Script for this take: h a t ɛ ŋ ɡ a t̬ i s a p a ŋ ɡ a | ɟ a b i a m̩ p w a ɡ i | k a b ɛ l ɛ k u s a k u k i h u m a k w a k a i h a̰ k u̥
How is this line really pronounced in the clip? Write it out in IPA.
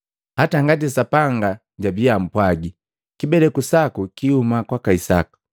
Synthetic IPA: h a t a ŋ ɡ a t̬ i s a p a ŋ ɡ a | ɟ a b i a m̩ p w a ɡ i | k i b ɛ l ɛ k u s a k u k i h u m a k w a k a i s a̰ k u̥

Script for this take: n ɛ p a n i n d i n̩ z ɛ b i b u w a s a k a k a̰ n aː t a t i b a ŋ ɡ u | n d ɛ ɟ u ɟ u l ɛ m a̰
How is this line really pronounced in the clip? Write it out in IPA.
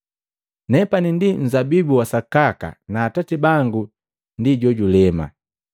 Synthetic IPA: n ɛ p a n i n d i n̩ z a b i b u w a s a k a k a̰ n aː t a t i b a ŋ ɡ u | n d i ɟ ɔ ɟ u l ɛ m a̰

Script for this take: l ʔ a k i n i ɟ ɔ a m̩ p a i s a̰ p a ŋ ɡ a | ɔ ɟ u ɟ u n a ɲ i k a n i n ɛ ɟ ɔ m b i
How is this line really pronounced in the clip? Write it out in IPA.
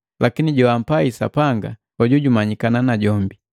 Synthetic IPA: l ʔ a k i n i ɟ ɔ a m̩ p a i s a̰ p a ŋ ɡ a | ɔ ɟ u ɟ u m a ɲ i k a n a n a ɟ ɔ m b i

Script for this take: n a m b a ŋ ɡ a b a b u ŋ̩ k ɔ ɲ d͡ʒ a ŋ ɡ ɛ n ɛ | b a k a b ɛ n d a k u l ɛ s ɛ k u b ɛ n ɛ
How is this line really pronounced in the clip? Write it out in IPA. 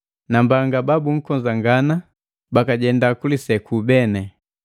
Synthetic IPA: n a m b a ŋ ɡ a b a b u ŋ̩ k ɔ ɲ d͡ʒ a ŋ ɡ a n a | b a k a ɟ ɛ n d a k u l i s ɛ k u b ɛ n ɛ

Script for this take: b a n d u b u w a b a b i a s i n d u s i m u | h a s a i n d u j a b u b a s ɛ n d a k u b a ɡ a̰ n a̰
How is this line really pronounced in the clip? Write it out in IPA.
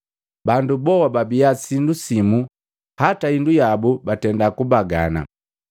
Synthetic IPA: b a n d u b ɔ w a b a b i a s i n d u s i m u | h a t a i n d u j a b u b a t ɛ n d a k u b a ɡ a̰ n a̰

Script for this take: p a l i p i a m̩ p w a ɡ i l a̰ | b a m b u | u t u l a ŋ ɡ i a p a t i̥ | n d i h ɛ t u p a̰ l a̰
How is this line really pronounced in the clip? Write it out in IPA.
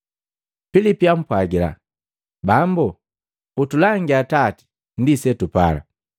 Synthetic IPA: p i l i p i a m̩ p w a ɡ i l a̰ | b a m b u | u t u l a ŋ ɡ i a t a t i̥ | n d i s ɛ t u p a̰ l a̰

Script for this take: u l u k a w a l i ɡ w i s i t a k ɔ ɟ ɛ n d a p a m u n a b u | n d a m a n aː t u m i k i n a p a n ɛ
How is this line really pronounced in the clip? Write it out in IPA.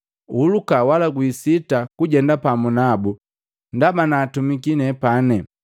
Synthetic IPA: u l u k a w a l a ɡ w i s i t a k u ɟ ɛ n d a p a m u n a b u | n d a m a n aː t u m i k i n ɛ p a n ɛ

